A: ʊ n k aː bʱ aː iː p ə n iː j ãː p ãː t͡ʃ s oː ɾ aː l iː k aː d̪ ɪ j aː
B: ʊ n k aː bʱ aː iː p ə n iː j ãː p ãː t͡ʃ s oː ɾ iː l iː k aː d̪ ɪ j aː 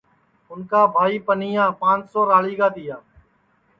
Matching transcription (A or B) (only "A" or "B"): A